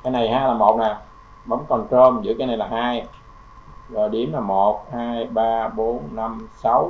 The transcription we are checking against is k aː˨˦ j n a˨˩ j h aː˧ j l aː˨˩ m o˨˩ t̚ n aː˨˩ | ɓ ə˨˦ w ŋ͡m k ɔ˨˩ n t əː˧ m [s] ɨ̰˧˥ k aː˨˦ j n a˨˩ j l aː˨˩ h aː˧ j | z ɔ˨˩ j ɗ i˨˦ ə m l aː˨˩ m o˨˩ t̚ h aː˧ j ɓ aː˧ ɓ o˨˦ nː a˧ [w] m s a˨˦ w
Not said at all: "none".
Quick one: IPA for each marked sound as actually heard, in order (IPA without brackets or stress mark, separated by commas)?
z, none